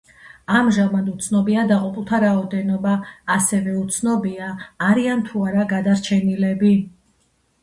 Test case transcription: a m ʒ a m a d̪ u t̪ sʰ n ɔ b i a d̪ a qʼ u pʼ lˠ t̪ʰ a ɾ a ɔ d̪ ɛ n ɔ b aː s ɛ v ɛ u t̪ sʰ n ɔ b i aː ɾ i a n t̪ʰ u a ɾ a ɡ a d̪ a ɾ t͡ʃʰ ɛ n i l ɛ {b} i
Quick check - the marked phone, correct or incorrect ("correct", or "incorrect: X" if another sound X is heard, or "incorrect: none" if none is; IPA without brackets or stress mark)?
correct